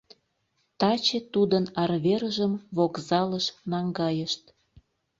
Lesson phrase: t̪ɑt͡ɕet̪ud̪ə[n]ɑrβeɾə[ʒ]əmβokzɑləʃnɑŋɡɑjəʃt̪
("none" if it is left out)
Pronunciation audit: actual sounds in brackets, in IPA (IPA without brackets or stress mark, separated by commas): n, ʒ